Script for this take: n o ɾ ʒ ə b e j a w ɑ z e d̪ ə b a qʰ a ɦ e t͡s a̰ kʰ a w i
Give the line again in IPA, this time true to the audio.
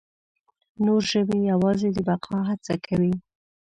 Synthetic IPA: n o ɾ ʒ ə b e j a w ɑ z e d̪ ə b a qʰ ɑ ɦ a t͡s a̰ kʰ a w i